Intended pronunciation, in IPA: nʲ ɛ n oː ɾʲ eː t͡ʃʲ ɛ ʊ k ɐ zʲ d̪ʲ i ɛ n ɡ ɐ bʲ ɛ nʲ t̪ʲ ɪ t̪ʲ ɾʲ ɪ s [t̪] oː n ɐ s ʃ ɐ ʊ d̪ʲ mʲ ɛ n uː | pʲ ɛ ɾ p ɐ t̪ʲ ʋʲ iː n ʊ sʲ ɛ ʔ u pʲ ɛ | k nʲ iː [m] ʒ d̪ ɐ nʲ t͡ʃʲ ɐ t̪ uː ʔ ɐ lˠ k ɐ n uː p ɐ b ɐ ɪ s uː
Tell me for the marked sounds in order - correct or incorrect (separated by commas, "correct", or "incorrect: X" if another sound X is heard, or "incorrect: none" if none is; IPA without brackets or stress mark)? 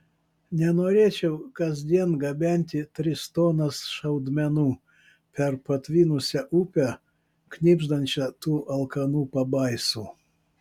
correct, incorrect: b